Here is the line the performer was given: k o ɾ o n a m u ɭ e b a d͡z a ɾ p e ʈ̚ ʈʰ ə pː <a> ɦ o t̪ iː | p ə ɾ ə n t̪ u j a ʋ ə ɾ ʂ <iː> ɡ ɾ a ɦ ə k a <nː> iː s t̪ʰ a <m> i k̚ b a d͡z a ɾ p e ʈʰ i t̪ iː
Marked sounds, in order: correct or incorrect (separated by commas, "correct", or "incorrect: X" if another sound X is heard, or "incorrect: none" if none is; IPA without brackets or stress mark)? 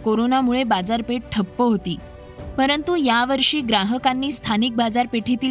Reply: incorrect: ə, correct, correct, incorrect: n